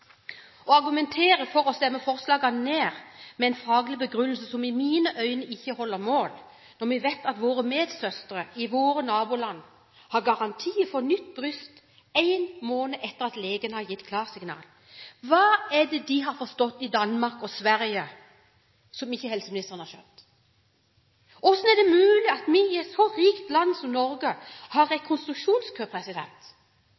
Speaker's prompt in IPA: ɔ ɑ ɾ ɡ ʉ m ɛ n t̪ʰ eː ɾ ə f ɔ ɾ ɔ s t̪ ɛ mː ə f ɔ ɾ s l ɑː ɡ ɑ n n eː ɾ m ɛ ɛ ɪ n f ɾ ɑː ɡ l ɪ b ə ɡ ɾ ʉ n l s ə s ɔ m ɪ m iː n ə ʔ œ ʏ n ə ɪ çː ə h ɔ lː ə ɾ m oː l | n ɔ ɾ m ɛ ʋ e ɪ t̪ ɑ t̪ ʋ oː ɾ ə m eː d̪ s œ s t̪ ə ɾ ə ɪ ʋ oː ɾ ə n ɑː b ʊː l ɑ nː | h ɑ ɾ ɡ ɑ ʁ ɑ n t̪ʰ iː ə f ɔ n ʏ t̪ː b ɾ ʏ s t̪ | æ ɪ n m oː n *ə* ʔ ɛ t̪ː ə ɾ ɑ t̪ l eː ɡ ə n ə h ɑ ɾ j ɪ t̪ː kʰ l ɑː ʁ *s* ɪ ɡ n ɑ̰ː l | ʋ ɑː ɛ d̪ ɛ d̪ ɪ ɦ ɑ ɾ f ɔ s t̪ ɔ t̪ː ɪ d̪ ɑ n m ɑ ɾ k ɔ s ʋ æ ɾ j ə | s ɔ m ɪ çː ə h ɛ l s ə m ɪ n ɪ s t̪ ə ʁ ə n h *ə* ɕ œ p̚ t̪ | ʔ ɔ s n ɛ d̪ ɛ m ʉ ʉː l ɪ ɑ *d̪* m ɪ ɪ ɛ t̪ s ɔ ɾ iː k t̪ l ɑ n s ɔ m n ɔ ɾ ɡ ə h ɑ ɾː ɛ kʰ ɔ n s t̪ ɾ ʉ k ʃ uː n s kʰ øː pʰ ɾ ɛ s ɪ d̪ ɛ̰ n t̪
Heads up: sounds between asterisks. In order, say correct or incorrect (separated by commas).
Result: correct, correct, incorrect, incorrect